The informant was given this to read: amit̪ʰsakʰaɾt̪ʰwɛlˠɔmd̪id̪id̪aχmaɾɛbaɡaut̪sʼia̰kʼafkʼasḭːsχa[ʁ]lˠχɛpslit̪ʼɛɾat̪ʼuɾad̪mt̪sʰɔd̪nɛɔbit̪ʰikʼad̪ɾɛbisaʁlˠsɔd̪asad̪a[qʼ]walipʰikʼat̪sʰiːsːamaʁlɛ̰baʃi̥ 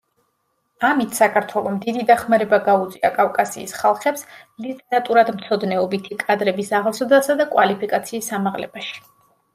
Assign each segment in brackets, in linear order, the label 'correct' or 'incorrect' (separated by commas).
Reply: incorrect, incorrect